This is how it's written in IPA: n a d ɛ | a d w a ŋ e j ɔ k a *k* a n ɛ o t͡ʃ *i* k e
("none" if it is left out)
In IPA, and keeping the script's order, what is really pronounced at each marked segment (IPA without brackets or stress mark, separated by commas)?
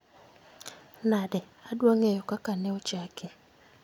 k, a